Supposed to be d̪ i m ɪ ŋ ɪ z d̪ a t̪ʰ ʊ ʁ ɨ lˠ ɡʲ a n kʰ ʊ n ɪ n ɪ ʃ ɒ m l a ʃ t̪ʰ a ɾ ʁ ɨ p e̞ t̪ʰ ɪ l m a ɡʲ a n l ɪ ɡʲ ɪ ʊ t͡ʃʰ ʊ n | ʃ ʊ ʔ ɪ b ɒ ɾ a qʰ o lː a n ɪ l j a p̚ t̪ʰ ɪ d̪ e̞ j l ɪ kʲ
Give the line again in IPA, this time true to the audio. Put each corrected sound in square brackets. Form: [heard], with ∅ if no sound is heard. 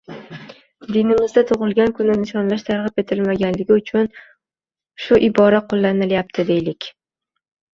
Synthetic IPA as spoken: d̪ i [n] ɪ [m] ɪ z d̪ a t̪ʰ ʊ ʁ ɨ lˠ ɡʲ a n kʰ ʊ n ɪ n ɪ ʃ ɒ [n] l a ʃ t̪ʰ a ɾ ʁ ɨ p e̞ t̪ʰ ɪ l m a ɡʲ a n l ɪ ɡʲ ɪ ʊ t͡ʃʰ ʊ n | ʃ ʊ ʔ ɪ b ɒ ɾ a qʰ o lː a n ɪ l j a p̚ t̪ʰ ɪ d̪ e̞ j l ɪ kʲ